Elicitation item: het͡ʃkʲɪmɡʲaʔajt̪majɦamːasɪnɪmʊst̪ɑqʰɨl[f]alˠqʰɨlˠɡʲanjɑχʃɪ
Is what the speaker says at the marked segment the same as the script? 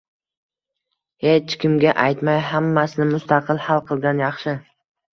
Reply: no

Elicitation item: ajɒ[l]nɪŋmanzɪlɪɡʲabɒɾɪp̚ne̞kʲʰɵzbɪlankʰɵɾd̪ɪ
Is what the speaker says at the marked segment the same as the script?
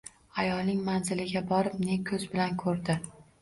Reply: yes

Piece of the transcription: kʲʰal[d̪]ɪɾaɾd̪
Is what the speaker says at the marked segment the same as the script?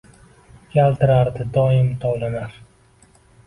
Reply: no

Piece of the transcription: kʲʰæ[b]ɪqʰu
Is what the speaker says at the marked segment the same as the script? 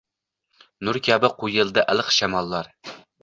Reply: yes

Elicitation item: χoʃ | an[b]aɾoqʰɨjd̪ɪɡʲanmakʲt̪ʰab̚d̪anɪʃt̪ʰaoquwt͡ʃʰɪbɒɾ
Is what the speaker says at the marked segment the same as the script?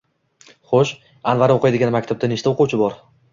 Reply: no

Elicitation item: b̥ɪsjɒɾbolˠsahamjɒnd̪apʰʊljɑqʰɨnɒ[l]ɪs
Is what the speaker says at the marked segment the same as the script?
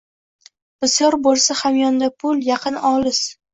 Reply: yes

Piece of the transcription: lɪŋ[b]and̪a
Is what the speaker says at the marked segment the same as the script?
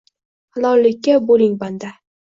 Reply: yes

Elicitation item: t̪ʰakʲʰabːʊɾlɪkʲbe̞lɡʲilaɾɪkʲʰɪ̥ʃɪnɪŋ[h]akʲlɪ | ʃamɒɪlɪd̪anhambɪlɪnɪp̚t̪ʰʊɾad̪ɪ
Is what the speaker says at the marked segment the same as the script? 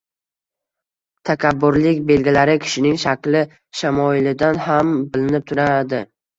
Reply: no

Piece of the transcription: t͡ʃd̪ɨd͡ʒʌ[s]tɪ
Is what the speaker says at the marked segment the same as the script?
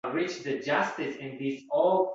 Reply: yes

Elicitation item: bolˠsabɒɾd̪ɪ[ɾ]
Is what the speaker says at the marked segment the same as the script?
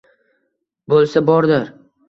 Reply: yes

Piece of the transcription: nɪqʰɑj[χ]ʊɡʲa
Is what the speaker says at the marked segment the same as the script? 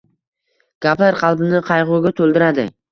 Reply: no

